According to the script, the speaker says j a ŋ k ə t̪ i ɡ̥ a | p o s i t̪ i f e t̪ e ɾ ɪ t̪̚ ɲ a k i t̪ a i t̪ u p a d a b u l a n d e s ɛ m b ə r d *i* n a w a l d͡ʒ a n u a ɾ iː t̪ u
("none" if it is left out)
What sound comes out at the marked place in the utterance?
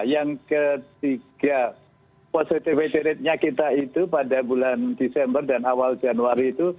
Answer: a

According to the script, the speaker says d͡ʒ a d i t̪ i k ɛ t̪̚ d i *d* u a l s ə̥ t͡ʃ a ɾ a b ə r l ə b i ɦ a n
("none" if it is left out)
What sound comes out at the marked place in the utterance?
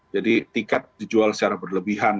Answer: d͡ʒ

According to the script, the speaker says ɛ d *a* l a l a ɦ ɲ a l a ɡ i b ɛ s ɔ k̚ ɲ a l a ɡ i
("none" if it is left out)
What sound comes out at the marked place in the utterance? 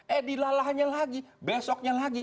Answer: i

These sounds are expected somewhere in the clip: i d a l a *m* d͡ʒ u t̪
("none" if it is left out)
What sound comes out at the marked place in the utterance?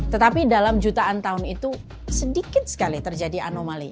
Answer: m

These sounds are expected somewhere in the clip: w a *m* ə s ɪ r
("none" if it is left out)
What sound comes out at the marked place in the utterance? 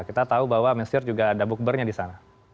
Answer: m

